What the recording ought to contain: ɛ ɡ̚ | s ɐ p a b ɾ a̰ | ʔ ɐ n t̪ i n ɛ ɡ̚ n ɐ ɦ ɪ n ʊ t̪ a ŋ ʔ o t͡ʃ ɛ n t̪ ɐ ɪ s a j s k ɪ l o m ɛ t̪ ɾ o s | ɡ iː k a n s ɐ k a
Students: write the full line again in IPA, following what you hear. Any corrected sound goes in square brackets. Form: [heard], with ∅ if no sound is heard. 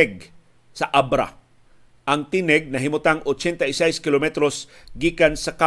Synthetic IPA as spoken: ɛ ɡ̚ | s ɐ [ʔ] a b ɾ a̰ | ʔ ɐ [ŋ] t̪ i n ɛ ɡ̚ n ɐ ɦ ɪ [m] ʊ t̪ a ŋ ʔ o t͡ʃ ɛ n t̪ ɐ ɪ s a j s k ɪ l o m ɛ t̪ ɾ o s | ɡ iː k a n s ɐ k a